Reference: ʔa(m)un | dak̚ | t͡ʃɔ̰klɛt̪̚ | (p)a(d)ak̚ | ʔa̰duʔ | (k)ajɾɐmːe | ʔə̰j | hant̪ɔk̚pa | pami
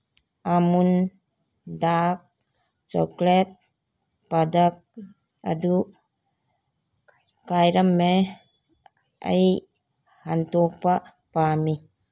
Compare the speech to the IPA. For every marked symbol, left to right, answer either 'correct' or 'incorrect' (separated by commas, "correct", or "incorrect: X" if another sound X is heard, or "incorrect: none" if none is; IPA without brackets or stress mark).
correct, correct, correct, correct